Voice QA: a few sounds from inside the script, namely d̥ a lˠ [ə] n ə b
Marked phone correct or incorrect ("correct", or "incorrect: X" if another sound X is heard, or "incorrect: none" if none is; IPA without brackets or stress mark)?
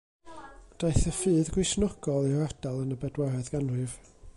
correct